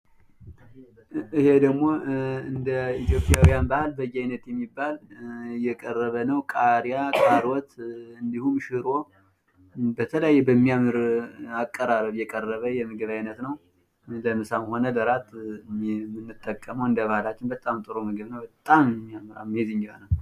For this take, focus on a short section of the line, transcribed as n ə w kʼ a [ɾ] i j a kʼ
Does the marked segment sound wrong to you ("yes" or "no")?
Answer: no